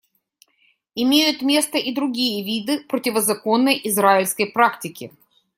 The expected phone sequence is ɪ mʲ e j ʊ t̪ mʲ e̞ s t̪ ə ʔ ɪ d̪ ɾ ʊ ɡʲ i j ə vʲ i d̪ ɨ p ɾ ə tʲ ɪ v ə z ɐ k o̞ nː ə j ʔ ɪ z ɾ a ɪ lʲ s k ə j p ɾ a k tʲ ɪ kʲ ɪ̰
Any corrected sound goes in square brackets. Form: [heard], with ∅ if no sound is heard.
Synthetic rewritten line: ɪ mʲ e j ʊ t̪ mʲ e̞ s t̪ ə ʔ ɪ d̪ ɾ ʊ ɡʲ i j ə vʲ i d̪ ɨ p ɾ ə tʲ ɪ v ə z ɐ k o̞ nː ə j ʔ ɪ z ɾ a ɪ lʲ s k ə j p ɾ a k tʲ ɪ kʲ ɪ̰